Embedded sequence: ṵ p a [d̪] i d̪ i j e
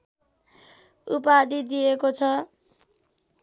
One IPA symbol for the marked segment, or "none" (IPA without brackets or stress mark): d̪